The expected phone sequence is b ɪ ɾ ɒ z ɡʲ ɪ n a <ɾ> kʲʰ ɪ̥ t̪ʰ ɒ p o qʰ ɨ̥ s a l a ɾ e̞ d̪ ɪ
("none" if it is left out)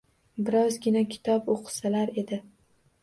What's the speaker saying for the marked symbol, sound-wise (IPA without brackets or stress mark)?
none